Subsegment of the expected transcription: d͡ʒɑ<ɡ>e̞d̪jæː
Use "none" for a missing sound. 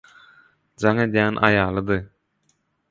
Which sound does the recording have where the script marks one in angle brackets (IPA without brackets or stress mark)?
ŋ